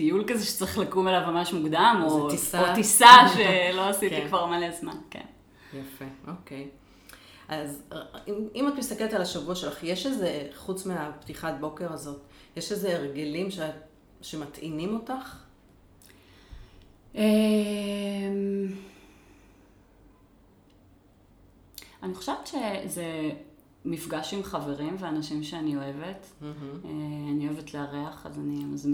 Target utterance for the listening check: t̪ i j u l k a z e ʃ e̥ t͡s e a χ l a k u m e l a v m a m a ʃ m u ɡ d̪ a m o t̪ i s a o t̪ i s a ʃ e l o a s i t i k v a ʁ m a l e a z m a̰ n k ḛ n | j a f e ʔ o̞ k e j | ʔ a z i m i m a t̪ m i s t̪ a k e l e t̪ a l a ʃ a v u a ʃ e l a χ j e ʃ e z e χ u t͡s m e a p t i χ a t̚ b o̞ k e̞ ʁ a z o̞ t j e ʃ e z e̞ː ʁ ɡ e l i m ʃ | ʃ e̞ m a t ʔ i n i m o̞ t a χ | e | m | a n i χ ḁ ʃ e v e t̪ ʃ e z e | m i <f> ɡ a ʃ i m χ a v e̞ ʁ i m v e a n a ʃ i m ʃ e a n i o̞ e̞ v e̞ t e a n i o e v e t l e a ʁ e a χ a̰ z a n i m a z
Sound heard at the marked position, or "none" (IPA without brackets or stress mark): f